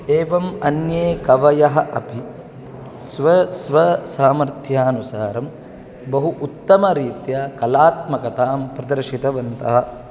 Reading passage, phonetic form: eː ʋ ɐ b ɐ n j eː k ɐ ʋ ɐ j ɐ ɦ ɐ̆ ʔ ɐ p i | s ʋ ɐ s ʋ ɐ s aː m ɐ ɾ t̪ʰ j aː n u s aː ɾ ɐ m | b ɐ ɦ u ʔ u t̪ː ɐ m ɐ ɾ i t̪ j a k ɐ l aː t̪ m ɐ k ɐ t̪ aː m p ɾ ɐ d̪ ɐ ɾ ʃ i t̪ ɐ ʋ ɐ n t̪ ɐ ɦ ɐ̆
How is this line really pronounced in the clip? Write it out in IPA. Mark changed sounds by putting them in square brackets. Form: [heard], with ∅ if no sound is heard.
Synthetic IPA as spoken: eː ʋ ɐ [m] ɐ n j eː k ɐ ʋ ɐ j ɐ ɦ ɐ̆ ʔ ɐ p i | s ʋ ɐ s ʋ ɐ s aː m ɐ ɾ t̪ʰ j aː n u s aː ɾ ɐ m | b ɐ ɦ u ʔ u t̪ː ɐ m ɐ ɾ [iː] t̪ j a k ɐ l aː t̪ m ɐ k ɐ t̪ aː m p ɾ ɐ d̪ ɐ ɾ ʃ i t̪ ɐ ʋ ɐ n t̪ ɐ ɦ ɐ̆